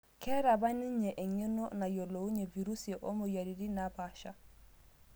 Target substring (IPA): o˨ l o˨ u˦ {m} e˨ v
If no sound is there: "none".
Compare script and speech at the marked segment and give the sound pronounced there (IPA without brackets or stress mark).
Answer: ɲ